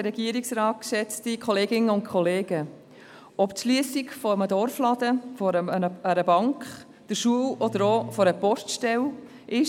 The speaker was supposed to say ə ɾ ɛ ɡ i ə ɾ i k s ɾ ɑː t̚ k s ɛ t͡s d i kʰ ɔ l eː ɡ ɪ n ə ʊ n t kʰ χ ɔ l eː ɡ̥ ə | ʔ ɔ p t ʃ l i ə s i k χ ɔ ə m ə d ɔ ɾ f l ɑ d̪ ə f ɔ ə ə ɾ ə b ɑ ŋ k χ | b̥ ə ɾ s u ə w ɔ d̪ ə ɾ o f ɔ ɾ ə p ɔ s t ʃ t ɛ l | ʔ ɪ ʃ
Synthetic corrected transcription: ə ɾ ɛ ɡ i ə ɾ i k s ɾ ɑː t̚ k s ɛ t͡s t i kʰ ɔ l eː ɡ ɪ n ə ʊ n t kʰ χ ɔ l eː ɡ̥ ə | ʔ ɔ p t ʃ l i ə s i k f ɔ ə m ə d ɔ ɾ f l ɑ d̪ ə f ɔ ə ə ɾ ə b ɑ ŋ k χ | d̥ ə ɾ ʃ u ə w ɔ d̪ ə ɾ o f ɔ ɾ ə p ɔ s t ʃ t ɛ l | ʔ ɪ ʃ